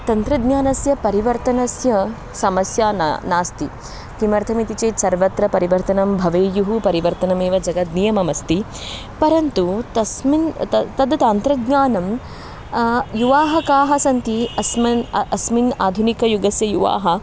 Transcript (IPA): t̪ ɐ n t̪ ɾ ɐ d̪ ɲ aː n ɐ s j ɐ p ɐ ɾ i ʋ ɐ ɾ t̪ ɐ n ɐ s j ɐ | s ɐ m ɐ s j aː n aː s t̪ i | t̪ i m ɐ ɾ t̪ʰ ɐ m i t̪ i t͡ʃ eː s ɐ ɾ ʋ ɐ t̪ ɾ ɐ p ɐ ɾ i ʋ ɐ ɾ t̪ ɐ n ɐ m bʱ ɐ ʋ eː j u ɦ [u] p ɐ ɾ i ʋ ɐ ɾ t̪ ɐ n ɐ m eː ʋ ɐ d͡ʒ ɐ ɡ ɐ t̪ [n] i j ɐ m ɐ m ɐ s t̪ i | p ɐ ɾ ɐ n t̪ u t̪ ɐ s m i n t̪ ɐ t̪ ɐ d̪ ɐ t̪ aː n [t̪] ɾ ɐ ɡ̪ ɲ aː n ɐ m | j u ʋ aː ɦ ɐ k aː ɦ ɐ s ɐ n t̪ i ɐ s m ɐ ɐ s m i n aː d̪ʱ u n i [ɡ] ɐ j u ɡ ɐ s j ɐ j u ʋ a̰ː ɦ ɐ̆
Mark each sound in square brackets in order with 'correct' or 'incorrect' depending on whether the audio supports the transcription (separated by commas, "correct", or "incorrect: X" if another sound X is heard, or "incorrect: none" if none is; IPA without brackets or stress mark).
correct, correct, correct, incorrect: k